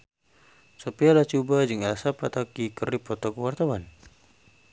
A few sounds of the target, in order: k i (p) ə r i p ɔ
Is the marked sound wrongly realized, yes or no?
yes